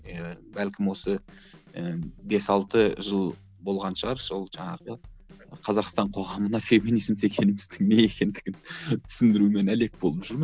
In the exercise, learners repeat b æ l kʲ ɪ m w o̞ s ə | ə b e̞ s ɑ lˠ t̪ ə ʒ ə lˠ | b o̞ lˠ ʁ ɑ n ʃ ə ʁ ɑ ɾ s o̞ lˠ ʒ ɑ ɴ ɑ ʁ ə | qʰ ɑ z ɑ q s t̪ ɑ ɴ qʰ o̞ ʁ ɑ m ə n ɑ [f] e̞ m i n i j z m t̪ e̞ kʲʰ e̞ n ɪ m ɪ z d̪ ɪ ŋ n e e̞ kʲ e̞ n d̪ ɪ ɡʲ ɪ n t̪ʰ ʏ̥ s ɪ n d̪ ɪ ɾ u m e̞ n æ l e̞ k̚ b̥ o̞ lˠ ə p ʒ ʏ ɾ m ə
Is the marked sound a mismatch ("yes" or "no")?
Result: no